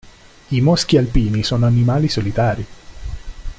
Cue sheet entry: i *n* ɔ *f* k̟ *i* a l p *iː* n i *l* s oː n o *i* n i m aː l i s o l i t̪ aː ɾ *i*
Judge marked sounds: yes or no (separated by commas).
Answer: no, no, yes, yes, no, no, yes